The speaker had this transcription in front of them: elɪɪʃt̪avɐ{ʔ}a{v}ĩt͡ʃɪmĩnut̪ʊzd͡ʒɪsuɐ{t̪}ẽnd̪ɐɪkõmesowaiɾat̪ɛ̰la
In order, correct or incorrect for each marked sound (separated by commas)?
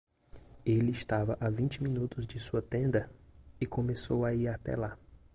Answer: correct, correct, correct